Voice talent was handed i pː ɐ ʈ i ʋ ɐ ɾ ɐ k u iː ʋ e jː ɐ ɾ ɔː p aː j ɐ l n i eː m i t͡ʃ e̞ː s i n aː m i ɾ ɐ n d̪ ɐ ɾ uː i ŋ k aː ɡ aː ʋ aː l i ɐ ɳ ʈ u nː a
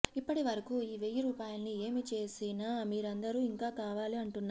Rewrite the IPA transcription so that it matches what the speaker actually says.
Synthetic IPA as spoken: i pː ɐ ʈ i ʋ ɐ ɾ ɐ k u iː ʋ e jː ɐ ɾ uː p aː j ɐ l n i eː m i t͡ʃ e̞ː s i n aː m iː ɾ ɐ n d̪ ɐ ɾ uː i ŋ k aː k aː ʋ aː l i ɐ ɳ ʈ u nː a